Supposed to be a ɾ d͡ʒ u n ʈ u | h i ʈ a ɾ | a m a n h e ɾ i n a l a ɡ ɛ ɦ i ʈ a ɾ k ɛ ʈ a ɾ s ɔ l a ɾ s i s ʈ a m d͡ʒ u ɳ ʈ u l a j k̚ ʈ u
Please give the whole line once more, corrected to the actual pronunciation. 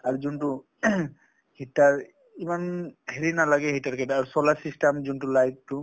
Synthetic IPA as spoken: a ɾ d͡ʒ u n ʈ u | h i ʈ a ɾ | i m a n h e ɾ i n a l a ɡ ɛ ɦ i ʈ a ɾ k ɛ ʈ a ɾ s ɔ l a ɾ s i s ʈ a m d͡ʒ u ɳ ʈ u l a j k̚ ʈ u